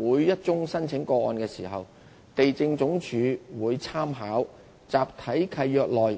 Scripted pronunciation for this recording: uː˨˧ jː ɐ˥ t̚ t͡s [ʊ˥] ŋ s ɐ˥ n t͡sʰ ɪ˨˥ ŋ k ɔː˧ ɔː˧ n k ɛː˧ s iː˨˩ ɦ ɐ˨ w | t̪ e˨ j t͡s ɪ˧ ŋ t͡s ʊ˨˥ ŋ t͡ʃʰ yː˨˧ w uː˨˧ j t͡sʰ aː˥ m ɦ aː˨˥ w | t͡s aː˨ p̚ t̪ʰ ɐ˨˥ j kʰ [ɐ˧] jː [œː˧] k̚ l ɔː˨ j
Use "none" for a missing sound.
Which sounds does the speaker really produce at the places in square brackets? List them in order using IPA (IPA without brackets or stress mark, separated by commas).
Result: ʊ˥, ɐ˧, œː˧